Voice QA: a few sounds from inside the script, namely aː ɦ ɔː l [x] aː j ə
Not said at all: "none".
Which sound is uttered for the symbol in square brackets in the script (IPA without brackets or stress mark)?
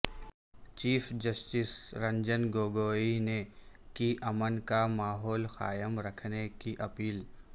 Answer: x